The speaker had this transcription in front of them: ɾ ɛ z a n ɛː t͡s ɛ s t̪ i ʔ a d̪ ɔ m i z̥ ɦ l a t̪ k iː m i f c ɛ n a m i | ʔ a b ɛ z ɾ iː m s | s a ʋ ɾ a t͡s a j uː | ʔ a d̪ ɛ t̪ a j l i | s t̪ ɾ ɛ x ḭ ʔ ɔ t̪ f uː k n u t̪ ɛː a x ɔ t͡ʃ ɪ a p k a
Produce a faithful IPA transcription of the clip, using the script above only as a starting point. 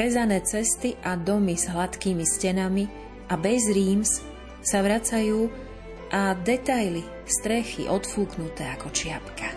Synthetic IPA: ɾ ɛ z a n ɛː t͡s ɛ s t̪ i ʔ a d̪ ɔ m i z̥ ɦ l a t̪ k iː m i s c ɛ n a m i | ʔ a b ɛ z ɾ iː m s | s a ʋ ɾ a t͡s a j uː | ʔ a d̪ ɛ t̪ a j l i | s t̪ ɾ ɛ x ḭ ʔ ɔ t̪ f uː k n u t̪ ɛː a k ɔ t͡ʃ ɪ a p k a